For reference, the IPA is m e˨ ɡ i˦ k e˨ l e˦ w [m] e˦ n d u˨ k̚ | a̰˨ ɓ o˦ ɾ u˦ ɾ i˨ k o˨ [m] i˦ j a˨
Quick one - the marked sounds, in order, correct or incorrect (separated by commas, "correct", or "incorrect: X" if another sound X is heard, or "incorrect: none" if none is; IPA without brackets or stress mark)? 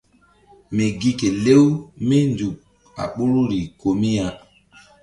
correct, correct